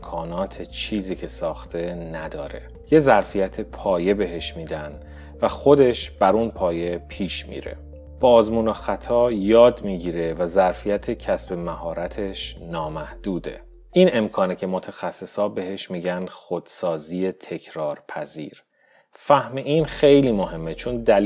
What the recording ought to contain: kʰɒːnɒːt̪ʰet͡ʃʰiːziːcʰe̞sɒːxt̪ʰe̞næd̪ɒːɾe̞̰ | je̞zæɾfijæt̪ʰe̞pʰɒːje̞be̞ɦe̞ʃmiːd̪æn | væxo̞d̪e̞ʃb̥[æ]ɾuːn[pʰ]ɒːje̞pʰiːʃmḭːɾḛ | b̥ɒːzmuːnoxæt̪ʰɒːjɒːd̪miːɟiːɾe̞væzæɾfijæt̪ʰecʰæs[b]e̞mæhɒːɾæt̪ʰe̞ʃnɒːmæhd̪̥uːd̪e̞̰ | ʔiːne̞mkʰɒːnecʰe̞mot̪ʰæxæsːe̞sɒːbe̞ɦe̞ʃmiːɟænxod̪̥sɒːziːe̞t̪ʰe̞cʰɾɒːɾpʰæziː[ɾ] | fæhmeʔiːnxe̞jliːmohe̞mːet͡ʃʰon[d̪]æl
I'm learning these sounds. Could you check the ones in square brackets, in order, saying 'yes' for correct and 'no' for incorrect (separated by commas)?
yes, yes, yes, yes, yes